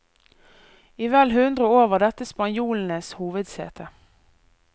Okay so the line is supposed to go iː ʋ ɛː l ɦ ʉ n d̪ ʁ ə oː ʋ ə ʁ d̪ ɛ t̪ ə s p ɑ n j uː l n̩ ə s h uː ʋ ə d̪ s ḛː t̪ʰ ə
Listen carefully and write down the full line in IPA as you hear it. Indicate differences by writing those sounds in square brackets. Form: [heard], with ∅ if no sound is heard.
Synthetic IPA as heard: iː ʋ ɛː l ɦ ʉ n d̪ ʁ ə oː ʋ ə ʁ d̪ ɛ t̪ ə s p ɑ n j uː l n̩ ə s h uː ʋ ə d̪ s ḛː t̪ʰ ə